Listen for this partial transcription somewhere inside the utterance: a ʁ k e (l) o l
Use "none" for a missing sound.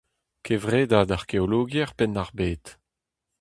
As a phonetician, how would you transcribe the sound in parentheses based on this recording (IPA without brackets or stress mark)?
none